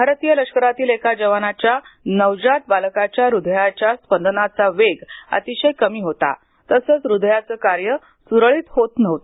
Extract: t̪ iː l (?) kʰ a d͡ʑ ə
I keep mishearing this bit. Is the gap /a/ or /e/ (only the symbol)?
e